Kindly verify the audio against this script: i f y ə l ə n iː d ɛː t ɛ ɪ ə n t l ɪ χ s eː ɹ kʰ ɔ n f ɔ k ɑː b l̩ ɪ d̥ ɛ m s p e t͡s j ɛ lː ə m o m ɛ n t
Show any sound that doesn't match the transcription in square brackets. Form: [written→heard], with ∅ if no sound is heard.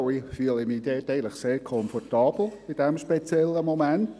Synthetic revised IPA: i f y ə l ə [n→m] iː d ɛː t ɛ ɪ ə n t l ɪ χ s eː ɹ kʰ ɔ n f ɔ [k→t] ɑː b l̩ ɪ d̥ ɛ m [s→ʃ] p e t͡s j ɛ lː ə m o m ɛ n t